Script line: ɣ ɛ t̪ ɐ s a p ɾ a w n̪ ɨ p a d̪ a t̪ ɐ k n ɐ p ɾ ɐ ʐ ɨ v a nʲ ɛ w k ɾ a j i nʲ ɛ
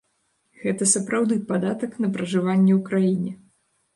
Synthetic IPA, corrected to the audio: ɣ ɛ t̪ ɐ s ɐ p ɾ a w d̪ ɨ p a d̪ a t̪ ɐ k n ɐ p ɾ ɐ ʐ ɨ v a nʲː ɛ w k ɾ a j i nʲ ɛ